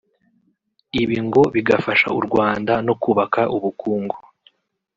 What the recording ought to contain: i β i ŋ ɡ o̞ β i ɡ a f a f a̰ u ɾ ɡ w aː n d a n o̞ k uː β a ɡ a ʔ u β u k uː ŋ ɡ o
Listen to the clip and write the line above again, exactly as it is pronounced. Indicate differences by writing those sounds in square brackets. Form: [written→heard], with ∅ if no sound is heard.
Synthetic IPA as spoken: i β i ŋ ɡ o̞ β i ɡ a f a [f→ʃ] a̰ u ɾ ɡ w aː n d a n o̞ k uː β a [ɡ→k] a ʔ u β u k uː ŋ ɡ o